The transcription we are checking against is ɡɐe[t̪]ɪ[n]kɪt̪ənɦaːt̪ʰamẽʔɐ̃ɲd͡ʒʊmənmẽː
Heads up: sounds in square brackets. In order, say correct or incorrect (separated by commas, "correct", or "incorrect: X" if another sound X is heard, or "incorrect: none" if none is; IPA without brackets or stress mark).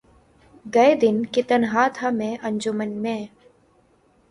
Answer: incorrect: d̪, correct